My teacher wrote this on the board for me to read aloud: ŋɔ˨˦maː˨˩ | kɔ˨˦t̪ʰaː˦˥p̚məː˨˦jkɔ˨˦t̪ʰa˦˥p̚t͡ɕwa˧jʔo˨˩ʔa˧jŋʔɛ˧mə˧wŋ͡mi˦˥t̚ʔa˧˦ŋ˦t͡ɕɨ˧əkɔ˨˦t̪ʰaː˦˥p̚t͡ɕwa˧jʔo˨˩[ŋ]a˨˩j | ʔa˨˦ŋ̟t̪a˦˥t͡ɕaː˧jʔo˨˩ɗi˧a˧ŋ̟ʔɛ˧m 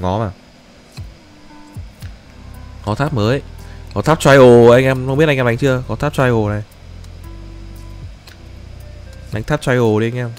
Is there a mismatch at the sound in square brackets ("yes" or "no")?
yes